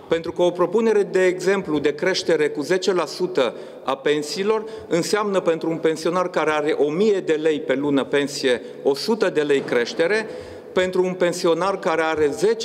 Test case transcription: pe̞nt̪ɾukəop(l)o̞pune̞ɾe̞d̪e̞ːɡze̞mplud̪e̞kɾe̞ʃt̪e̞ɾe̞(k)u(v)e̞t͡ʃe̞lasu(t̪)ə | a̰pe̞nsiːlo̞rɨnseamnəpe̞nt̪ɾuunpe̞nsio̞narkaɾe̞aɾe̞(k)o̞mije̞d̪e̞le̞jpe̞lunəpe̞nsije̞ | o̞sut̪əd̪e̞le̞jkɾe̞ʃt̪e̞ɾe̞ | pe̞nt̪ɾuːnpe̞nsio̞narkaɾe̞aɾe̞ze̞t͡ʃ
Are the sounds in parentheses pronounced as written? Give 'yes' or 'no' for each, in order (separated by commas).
no, yes, no, yes, no